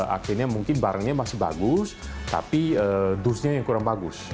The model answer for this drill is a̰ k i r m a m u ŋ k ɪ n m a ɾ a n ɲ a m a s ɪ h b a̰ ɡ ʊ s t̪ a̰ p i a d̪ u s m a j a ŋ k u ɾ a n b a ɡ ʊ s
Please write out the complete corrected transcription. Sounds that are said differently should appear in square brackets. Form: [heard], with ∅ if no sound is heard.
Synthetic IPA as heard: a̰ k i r [ɲ] a m u ŋ k ɪ n [b] a ɾ a [ŋ] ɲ a m a s ɪ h b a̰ ɡ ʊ s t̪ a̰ p i [ə] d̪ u s [ɲ] a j a ŋ k u ɾ a [ŋ] b a ɡ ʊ s